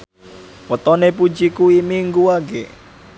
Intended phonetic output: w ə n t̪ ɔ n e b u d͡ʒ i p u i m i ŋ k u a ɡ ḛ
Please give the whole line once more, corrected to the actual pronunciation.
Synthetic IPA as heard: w ə t̪ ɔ n e p u d͡ʒ i k u i m i ŋ ɡ u a ɡ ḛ